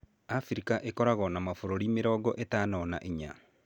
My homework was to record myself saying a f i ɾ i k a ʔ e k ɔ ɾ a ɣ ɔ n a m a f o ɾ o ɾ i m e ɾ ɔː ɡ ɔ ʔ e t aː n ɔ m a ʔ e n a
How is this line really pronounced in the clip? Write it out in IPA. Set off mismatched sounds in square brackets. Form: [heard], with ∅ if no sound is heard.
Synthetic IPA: a f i ɾ i k a ʔ e k ɔ ɾ a ɣ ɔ n a m a f o ɾ o ɾ i m e ɾ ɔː ɡ ɔ ʔ e t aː n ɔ [n] a ʔ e [ɲ] a